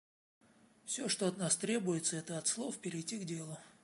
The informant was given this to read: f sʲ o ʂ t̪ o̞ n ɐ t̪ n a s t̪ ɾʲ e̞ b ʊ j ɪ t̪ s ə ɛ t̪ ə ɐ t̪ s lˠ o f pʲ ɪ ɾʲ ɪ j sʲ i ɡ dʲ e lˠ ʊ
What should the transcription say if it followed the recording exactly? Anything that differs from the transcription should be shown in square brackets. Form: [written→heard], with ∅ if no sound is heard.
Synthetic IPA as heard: f sʲ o ʂ t̪ o̞ [n→∅] ɐ t̪ n a s t̪ ɾʲ e̞ b ʊ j ɪ t̪ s ə ɛ t̪ ə ɐ t̪ s lˠ o f pʲ ɪ ɾʲ ɪ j [sʲ→tʲ] i ɡ dʲ e lˠ ʊ